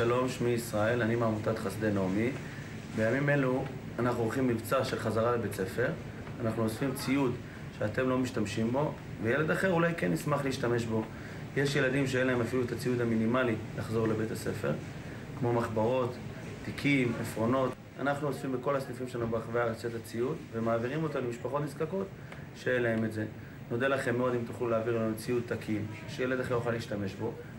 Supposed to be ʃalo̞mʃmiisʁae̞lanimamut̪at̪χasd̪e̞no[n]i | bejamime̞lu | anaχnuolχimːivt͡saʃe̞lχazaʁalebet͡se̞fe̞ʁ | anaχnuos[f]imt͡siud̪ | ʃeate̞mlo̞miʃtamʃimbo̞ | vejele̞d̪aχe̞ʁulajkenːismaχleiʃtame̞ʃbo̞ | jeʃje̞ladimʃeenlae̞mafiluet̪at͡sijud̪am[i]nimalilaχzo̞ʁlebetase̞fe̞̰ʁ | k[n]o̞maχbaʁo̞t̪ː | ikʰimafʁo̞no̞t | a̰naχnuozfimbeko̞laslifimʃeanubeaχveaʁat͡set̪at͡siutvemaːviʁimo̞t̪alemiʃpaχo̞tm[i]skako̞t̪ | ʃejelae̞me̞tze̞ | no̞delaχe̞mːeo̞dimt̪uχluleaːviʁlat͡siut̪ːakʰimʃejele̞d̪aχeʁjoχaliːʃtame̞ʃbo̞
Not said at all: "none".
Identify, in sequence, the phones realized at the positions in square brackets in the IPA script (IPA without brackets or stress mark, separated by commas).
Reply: m, f, i, m, i